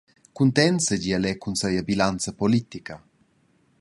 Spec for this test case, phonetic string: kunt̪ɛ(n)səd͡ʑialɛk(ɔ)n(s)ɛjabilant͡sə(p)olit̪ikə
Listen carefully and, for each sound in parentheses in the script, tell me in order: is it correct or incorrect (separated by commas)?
correct, incorrect, correct, correct